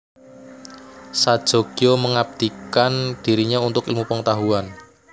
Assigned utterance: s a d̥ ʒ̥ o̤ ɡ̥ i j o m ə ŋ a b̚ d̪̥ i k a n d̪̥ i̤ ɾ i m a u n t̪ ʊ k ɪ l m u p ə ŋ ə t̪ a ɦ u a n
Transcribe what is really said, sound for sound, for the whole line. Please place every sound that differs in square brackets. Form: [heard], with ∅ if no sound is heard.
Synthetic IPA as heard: s a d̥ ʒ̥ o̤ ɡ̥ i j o m ə ŋ a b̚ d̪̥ i k a n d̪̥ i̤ ɾ i [ɲ] a u n t̪ ʊ k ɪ l m u p ə ŋ ə t̪ a ɦ u a n